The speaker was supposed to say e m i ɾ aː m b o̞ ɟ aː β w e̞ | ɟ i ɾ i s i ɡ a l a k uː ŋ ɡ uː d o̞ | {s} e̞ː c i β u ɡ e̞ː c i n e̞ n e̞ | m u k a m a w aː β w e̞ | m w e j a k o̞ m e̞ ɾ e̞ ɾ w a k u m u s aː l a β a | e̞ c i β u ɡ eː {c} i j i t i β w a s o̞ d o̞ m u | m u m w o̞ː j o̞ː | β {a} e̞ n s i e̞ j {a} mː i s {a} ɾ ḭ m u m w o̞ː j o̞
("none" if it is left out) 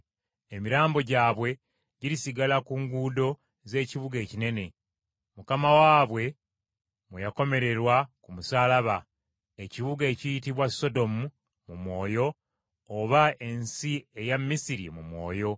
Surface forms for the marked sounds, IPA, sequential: z, c, a, a, i

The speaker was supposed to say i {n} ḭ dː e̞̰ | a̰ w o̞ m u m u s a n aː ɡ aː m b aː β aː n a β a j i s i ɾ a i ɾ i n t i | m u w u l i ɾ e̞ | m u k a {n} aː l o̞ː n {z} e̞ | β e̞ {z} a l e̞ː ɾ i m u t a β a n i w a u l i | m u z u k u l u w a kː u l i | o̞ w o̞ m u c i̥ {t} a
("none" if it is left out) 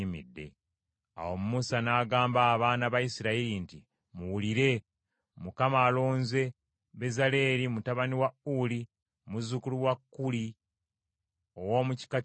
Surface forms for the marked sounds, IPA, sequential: m, m, z, z, k

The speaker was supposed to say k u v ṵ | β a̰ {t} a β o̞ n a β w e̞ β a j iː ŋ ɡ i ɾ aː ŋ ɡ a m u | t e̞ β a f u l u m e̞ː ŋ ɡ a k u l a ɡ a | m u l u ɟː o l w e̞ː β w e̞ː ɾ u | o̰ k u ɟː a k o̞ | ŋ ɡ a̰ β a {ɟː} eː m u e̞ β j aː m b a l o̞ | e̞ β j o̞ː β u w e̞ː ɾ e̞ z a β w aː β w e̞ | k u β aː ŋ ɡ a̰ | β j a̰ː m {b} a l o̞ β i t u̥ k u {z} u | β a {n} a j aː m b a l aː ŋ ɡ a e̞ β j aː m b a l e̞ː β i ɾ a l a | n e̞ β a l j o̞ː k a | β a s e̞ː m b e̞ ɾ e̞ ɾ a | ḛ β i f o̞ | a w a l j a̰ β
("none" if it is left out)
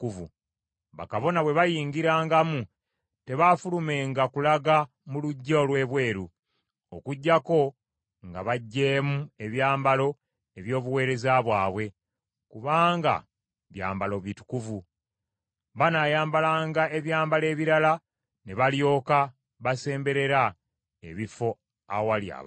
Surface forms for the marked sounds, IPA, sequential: k, ɟː, b, v, n

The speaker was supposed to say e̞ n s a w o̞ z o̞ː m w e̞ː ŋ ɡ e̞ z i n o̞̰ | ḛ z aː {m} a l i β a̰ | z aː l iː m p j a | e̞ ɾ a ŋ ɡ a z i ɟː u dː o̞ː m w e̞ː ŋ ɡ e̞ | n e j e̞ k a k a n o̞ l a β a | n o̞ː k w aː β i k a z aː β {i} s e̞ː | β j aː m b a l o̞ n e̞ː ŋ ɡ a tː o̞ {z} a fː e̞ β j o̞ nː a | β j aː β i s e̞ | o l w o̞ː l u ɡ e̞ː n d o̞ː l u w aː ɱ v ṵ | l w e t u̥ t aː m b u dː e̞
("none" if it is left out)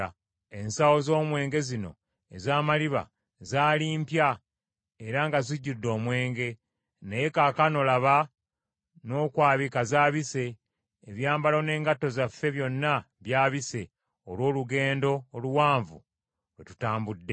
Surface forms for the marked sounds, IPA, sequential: m, i, z

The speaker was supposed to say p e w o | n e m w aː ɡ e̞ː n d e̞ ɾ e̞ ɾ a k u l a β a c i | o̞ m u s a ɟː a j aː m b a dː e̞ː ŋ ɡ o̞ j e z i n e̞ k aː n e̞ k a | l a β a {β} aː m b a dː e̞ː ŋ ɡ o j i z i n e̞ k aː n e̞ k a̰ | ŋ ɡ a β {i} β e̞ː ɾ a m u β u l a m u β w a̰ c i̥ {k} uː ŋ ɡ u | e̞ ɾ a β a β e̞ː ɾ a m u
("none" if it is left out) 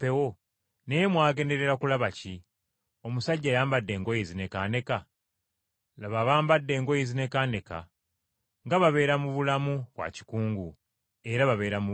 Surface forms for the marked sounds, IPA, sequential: β, a, k

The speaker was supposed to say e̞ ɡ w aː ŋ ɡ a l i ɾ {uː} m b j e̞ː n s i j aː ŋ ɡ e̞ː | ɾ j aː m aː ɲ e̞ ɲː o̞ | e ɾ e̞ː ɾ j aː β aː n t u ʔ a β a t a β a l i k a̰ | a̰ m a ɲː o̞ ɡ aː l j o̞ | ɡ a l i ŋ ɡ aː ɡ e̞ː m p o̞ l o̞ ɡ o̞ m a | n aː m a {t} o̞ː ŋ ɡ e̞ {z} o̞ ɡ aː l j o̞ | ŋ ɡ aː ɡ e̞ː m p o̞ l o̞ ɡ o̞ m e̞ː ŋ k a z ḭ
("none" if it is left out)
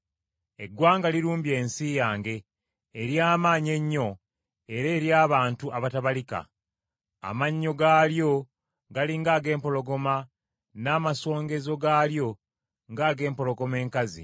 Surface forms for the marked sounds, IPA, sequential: uː, s, z

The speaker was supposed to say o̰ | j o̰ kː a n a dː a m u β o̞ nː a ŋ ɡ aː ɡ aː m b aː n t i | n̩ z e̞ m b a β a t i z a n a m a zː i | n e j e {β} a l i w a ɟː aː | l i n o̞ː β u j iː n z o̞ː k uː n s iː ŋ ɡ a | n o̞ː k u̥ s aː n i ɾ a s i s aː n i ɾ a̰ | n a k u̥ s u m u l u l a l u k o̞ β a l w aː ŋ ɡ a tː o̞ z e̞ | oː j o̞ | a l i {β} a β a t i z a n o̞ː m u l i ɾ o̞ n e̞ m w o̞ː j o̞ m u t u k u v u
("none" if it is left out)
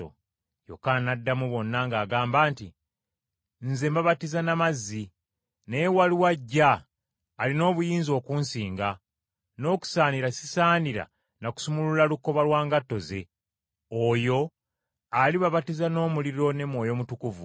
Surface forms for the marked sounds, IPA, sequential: w, β

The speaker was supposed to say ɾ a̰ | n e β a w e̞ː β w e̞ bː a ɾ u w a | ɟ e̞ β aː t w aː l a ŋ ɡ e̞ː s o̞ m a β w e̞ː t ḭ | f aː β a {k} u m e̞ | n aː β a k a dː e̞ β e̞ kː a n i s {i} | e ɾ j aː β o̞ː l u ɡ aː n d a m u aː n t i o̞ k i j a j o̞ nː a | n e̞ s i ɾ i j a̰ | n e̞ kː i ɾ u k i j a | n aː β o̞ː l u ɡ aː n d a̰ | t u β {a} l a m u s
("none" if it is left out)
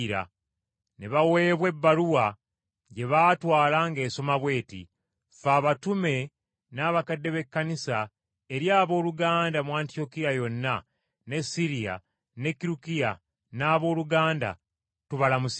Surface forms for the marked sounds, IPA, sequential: t, a, a

